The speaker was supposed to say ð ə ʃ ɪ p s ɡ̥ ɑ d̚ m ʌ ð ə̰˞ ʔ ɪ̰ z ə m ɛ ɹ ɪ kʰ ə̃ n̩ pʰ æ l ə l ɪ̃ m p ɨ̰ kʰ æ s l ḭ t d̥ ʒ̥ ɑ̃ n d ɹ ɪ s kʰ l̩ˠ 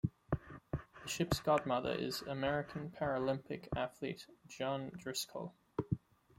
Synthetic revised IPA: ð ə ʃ ɪ p s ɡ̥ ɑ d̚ m ʌ ð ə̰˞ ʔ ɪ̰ z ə m ɛ ɹ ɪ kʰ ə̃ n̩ pʰ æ ɹ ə l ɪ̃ m p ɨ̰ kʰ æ θ l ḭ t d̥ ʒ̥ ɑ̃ n d ɹ ɪ s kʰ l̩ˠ

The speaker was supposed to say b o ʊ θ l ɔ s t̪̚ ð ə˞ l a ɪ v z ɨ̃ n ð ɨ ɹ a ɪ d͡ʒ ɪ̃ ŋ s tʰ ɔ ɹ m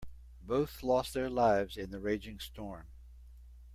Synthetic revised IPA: b o ʊ θ l ɔ s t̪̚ ð ə˞ l a ɪ v z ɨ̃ n ð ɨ ɹ e ɪ d͡ʒ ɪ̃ ŋ s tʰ ɔ ɹ m

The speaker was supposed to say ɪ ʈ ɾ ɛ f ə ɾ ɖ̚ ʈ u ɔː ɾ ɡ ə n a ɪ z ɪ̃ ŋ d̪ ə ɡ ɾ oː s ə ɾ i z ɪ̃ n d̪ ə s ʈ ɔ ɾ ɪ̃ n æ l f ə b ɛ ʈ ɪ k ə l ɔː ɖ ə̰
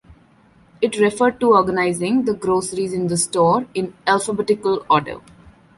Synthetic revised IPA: ɪ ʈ ɾ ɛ f ə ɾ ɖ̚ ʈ u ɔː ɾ ɡ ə n a ɪ z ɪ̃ ŋ d̪ ə ɡ ɾ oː s ə ɾ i z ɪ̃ n d̪ ə s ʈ ɔː ɾ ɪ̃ n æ l f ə b ɛ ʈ ɪ k ə l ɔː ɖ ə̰

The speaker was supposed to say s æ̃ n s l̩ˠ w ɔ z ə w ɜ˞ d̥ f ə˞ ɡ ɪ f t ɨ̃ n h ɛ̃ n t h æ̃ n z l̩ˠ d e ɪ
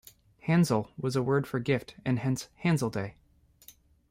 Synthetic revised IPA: h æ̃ n z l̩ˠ w ʌ z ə w ɜ˞ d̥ f ə˞ ɡ ɪ f t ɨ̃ n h ɛ̃ n s h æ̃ n z l̩ˠ d e ɪ

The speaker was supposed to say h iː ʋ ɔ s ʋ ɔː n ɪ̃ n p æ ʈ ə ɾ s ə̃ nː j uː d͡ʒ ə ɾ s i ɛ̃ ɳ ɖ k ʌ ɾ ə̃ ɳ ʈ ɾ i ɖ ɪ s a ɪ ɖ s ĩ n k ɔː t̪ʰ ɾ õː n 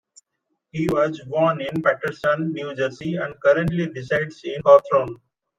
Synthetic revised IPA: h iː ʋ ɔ z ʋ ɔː n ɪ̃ n p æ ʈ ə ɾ s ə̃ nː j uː d͡ʒ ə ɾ s i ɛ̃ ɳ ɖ k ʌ ɾ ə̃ ɳ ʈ l i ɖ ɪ s a ɪ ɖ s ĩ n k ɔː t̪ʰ ɾ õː n

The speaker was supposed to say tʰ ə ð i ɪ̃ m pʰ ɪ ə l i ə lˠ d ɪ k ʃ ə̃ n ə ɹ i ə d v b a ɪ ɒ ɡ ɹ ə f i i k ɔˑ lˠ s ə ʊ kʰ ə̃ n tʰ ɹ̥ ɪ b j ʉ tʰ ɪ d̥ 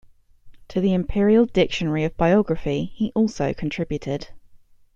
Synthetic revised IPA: tʰ ə ð i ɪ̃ m pʰ ɪ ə ɹ i ə lˠ d ɪ k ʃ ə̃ n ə ɹ i ə v b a ɪ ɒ ɡ ɹ ə f i i ʔ ɔˑ lˠ s ə ʊ kʰ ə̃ n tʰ ɹ̥ ɪ b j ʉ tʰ ɪ d̥

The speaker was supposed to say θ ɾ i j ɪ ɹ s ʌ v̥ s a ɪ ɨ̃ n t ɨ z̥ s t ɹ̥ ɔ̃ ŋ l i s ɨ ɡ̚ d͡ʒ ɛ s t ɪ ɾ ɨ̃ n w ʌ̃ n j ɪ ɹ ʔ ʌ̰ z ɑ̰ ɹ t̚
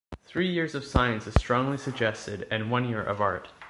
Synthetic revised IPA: θ ɹ i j ɪ ɹ z ʌ v̥ s a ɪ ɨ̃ n s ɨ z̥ s t ɹ̥ ɔ̃ ŋ l i s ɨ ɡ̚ d͡ʒ ɛ s t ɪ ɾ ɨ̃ n w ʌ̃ n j ɪ ɹ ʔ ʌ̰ v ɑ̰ ɹ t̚

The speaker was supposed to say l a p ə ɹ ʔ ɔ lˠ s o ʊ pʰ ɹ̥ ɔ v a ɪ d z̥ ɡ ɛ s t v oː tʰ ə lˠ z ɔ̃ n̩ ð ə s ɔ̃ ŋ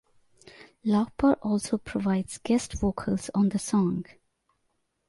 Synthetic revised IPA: l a p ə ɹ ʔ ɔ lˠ s o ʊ pʰ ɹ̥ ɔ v a ɪ d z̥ ɡ ɛ s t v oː kʰ ə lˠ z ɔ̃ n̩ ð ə s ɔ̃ ŋ

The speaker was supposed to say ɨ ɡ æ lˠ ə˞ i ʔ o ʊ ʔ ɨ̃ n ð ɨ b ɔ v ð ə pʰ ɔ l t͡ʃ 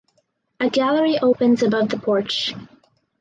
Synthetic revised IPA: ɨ ɡ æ lˠ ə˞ i ʔ o ʊ p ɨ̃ n z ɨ b ʌ v ð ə pʰ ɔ ɹ t͡ʃ

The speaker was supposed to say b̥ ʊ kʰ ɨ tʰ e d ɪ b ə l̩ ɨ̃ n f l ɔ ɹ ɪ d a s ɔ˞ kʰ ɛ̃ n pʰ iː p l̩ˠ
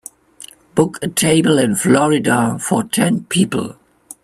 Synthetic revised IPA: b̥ ʊ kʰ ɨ tʰ e ɪ b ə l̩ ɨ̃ n f l ɔ ɹ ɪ d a f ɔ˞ tʰ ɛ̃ n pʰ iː p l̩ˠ

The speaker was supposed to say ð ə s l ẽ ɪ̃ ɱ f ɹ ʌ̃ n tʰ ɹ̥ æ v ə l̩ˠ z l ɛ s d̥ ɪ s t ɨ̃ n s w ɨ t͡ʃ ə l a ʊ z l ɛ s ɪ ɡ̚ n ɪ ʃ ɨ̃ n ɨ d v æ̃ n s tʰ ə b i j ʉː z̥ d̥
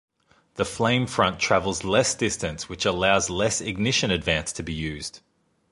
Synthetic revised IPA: ð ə f l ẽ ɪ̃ ɱ f ɹ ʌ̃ n tʰ ɹ̥ æ v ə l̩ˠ z l ɛ s d̥ ɪ s t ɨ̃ n s w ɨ t͡ʃ ə l a ʊ z l ɛ s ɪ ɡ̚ n ɪ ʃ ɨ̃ n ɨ d v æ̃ n s tʰ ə b i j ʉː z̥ d̥

